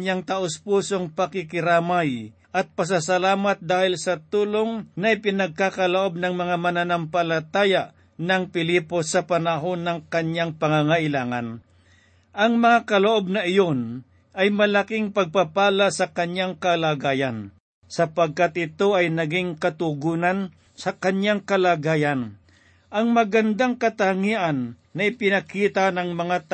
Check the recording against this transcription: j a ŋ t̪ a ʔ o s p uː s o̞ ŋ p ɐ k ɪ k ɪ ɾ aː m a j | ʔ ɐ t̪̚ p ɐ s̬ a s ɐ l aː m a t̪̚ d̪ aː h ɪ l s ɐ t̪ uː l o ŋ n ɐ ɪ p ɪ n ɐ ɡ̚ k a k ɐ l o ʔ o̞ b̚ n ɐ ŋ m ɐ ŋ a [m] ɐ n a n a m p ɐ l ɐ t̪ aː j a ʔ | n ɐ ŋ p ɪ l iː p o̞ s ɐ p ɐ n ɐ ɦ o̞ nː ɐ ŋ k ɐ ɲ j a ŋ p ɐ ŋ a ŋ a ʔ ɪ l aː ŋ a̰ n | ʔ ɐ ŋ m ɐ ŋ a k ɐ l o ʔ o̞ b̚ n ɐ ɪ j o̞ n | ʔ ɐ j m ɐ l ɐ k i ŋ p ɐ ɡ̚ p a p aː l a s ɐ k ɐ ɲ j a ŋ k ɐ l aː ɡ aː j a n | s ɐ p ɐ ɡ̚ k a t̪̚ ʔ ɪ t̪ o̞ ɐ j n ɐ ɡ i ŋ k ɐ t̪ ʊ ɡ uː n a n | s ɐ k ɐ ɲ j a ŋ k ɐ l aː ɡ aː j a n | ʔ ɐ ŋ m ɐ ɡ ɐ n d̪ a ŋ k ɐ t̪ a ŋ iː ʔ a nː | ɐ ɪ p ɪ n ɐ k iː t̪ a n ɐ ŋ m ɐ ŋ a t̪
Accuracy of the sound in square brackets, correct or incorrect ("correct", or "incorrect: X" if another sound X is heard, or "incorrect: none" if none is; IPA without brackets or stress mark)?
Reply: correct